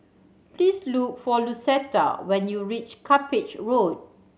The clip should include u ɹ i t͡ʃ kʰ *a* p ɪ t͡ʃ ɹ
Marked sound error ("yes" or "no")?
no